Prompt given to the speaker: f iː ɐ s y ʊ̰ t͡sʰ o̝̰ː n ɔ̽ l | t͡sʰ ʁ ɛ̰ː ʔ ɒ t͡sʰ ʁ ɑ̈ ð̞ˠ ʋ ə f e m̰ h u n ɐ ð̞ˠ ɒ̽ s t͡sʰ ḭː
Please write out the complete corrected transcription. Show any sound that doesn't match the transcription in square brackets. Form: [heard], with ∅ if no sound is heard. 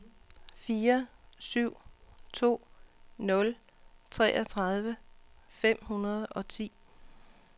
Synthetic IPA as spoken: f iː ɐ s y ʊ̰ t͡sʰ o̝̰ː n ɔ̽ l | t͡sʰ ʁ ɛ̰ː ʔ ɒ t͡sʰ ʁ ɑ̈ ð̞ˠ ʋ ə f e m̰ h u n ɐ ð̞ˠ ɒ̽ [∅] t͡sʰ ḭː